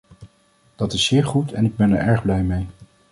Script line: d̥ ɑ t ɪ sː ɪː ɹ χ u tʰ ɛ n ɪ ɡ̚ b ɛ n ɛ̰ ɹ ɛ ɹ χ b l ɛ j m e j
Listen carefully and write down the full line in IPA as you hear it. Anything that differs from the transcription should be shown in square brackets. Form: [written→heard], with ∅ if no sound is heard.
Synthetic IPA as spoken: d̥ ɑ t ɪ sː ɪː ɹ χ u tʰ ɛ n ɪ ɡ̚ b ɛ n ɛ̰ ɹ ɛ ɹ χ b l ɛ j m e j